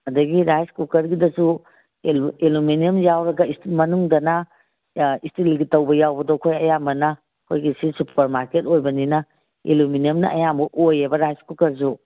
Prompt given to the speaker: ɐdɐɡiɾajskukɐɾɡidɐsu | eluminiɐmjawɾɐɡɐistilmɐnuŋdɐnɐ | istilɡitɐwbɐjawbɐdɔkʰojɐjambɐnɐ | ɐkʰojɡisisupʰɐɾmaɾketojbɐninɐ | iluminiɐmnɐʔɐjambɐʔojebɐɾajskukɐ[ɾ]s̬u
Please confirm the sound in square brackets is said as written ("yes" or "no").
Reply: yes